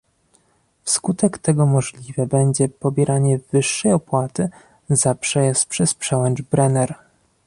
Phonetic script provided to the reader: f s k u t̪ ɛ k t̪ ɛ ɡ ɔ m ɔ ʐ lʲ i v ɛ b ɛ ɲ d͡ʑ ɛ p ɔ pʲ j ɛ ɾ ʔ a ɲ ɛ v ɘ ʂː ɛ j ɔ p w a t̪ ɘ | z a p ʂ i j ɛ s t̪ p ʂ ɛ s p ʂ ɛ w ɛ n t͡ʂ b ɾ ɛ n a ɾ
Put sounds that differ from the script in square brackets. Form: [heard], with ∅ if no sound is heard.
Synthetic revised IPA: f s k u t̪ ɛ k t̪ ɛ ɡ ɔ m ɔ ʐ lʲ i v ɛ b ɛ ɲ d͡ʑ ɛ p ɔ [bʲ] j ɛ ɾ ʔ a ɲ ɛ v ɘ ʂː ɛ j ɔ p w a t̪ ɘ | z a p ʂ [ɛ] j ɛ s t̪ p ʂ ɛ s p ʂ ɛ w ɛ n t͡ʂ b ɾ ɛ n [ɛ] ɾ